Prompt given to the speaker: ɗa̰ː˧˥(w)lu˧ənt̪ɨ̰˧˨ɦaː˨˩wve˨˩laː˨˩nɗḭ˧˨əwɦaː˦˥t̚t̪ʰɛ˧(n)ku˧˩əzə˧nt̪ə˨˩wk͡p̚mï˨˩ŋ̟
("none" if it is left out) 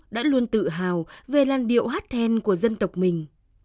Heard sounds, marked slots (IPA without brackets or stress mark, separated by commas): none, n